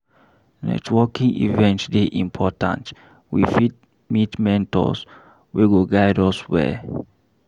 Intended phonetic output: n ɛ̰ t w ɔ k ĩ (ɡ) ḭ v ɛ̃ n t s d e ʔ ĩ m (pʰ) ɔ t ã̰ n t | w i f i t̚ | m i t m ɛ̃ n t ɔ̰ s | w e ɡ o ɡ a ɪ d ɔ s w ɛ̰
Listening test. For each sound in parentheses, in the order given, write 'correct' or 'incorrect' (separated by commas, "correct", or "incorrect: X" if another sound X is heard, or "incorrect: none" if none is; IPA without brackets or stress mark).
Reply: incorrect: ŋ, correct